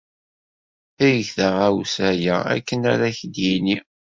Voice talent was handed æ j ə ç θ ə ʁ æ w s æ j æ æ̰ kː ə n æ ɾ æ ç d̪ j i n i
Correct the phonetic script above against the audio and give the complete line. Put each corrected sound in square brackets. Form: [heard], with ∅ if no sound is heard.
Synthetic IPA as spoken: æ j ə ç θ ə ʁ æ w s æ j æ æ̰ kː ə n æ ɾ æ ç d̪ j i n i